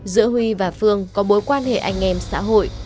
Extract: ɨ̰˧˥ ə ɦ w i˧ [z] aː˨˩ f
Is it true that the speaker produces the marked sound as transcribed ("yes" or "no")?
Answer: no